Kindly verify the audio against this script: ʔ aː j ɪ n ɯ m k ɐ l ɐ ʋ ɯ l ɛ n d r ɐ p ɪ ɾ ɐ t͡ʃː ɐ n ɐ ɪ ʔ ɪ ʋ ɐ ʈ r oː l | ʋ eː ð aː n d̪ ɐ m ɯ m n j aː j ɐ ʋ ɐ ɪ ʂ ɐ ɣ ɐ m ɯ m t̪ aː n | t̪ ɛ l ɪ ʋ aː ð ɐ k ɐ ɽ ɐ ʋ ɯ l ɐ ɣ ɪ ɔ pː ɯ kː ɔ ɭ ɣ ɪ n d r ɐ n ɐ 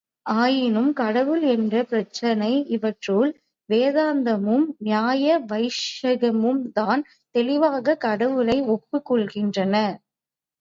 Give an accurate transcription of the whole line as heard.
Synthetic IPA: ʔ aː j ɪ n ɯ m k ɐ ɽ ɐ ʋ ɯ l ɛ n d r ɐ p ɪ ɾ ɐ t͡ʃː ɐ n ɐ ɪ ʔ ɪ ʋ ɐ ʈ r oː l | ʋ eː ð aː n d̪ ɐ m ɯ m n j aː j ɐ ʋ ɐ ɪ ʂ ɐ ɣ ɐ m ɯ m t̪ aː n | t̪ ɛ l ɪ ʋ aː ɣ ɐ k ɐ ɽ ɐ ʋ ɯ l ɐ ɪ ɔ pː ɯ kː ɔ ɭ ɣ ɪ n d r ɐ n ɐ